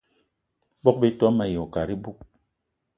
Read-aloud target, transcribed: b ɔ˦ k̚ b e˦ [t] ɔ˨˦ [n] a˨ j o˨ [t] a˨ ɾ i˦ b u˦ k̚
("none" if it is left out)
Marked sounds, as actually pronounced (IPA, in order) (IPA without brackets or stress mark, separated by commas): t, m, k